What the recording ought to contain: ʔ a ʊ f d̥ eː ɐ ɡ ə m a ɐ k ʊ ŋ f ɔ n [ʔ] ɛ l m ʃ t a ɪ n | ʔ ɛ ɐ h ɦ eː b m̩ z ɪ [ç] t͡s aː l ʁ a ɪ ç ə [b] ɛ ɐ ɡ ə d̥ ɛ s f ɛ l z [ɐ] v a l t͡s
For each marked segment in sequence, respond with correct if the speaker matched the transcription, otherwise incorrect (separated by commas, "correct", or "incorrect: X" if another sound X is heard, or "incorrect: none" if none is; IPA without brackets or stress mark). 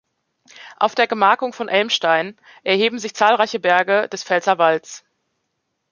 correct, correct, correct, correct